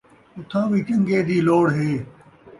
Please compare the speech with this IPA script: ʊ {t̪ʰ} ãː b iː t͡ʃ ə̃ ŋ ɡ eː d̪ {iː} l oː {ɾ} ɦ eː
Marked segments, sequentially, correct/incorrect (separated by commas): correct, correct, incorrect